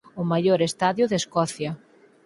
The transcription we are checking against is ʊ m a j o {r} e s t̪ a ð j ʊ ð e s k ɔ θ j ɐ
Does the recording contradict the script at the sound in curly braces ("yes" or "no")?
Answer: yes